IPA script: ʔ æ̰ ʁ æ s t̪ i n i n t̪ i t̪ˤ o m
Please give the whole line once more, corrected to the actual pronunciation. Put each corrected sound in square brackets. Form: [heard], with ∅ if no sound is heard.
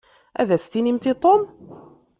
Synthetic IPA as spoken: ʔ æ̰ [ð] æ s t̪ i n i [m] t̪ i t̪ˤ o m